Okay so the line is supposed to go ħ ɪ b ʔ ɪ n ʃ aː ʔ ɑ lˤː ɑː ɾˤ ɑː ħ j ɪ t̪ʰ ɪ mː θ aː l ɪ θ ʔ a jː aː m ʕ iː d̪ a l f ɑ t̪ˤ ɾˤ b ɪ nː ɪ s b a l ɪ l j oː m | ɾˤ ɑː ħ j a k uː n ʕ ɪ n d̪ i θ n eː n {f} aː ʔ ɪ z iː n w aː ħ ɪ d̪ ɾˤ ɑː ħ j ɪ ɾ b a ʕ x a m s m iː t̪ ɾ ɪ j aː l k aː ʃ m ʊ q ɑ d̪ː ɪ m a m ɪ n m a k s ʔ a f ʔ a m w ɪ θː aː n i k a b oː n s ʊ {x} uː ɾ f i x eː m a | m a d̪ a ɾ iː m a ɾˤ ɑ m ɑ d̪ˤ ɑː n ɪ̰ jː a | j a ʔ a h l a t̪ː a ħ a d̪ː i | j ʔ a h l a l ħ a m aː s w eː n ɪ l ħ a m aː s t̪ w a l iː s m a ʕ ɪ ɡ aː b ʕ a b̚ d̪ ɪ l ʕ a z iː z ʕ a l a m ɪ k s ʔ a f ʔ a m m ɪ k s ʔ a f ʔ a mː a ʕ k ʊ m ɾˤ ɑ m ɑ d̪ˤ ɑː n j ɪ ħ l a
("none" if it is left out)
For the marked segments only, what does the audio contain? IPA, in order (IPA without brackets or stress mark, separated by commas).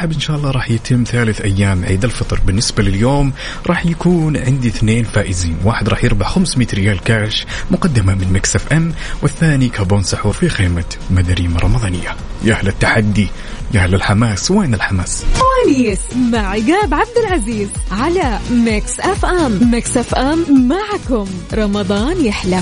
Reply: f, ħ